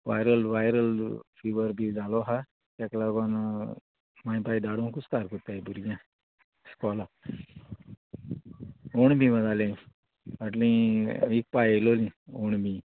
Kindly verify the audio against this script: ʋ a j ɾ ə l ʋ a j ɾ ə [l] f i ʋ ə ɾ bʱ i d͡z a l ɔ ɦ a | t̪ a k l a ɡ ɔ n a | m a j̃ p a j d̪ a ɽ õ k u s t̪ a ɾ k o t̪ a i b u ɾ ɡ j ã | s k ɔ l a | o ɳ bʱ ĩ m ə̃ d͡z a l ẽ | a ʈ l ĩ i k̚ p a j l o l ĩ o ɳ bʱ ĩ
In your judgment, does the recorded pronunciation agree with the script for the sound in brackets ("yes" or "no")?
yes